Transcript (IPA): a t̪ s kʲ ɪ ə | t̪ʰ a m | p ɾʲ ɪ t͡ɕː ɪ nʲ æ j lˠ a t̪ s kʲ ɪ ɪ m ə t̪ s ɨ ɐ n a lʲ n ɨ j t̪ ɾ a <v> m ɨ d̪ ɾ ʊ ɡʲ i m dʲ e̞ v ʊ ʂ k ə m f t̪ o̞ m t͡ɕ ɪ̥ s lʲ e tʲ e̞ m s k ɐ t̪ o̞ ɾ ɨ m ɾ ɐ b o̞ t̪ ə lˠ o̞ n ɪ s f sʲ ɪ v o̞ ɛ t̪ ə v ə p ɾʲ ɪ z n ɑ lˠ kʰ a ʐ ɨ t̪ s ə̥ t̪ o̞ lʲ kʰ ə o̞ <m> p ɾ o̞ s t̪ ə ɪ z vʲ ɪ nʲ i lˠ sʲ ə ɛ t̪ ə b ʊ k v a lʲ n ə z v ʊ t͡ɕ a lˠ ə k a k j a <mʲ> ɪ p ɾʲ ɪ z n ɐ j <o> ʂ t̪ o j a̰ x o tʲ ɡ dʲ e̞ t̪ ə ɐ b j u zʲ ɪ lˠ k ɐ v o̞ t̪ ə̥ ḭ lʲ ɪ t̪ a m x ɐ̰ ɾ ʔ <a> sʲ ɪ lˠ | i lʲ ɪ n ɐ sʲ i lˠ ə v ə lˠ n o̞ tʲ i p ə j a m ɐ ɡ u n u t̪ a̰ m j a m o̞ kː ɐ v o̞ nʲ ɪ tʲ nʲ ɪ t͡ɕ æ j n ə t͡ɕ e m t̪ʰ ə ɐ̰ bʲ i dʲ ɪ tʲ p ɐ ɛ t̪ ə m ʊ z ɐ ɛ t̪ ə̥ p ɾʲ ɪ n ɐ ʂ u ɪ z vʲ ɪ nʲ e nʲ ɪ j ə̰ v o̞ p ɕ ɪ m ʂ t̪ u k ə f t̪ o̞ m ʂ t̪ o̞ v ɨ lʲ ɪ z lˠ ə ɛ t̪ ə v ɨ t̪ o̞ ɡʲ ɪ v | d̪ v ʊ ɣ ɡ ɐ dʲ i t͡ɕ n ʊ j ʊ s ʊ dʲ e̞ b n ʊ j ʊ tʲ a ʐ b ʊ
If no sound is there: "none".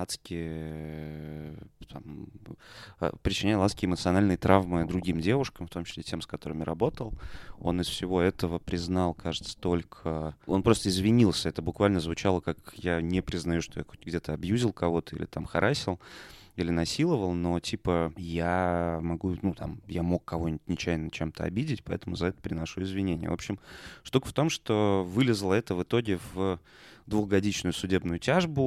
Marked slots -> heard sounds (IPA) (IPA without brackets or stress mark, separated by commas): v, n, nʲ, u, a